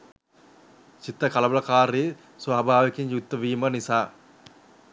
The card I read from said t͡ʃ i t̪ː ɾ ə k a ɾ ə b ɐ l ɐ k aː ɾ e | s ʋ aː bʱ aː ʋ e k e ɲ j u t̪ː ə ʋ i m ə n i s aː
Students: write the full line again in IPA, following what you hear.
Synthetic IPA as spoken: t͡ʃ i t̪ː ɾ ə k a l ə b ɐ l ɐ k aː ɾ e | s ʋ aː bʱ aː ʋ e k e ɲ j u t̪ː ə ʋ iː m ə n i s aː